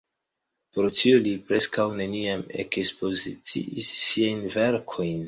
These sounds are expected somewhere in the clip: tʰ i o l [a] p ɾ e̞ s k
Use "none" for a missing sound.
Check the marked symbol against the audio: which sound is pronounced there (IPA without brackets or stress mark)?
i